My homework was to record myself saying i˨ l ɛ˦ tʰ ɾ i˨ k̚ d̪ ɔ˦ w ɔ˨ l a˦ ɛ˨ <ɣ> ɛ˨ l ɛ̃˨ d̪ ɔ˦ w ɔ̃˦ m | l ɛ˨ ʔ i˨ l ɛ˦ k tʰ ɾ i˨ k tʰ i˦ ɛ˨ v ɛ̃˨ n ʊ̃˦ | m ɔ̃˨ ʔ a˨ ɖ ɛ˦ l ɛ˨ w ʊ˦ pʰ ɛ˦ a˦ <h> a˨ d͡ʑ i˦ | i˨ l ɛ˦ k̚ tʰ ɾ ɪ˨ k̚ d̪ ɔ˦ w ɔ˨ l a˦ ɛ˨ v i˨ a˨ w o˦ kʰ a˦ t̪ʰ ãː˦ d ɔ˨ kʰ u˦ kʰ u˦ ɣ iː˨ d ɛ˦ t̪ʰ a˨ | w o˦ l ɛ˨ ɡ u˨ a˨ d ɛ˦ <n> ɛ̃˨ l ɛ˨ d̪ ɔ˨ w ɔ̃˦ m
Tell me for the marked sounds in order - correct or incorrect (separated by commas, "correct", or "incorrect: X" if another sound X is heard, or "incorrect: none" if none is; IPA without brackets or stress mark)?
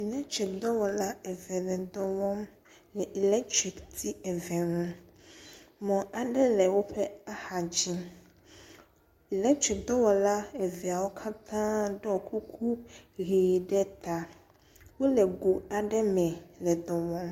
incorrect: v, correct, incorrect: m